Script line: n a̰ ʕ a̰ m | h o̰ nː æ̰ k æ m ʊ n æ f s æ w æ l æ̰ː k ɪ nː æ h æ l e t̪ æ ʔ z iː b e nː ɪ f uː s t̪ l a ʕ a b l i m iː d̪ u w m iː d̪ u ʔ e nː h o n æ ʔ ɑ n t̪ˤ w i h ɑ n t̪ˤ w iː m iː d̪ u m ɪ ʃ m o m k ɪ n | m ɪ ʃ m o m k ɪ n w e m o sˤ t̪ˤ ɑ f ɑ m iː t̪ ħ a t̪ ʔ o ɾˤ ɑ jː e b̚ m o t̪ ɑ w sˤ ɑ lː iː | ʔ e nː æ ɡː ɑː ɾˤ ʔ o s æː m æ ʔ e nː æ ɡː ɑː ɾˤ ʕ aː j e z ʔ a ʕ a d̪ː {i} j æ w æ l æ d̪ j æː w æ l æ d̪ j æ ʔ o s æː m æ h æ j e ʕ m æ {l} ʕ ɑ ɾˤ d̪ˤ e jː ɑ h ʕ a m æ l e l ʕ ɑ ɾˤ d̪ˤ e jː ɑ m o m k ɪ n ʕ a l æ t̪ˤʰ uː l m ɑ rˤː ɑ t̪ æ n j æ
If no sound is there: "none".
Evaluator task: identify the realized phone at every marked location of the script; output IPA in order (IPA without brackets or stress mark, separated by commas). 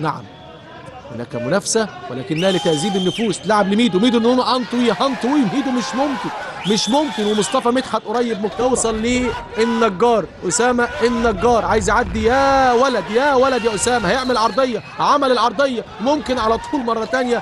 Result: i, l